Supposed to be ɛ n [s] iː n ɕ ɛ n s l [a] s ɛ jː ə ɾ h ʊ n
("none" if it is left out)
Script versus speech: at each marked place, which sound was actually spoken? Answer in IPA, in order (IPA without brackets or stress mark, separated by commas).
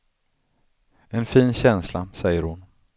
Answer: f, a